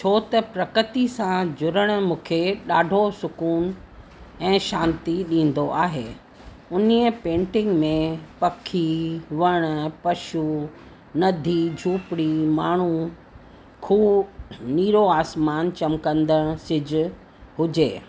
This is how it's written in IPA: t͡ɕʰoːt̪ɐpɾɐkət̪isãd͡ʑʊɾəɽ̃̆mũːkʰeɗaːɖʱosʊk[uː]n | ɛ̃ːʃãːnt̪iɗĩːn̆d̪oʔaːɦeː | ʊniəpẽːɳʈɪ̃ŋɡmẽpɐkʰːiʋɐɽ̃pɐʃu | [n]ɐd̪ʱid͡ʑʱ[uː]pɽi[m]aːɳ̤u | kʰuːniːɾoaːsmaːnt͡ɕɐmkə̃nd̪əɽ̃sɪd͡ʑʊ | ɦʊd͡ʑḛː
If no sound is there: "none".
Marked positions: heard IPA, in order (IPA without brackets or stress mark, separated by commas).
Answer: uː, n, uː, m